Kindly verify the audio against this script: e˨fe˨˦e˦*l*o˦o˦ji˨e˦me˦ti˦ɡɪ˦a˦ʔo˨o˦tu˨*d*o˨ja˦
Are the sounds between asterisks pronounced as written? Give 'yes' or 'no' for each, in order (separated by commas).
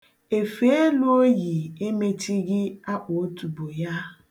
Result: yes, no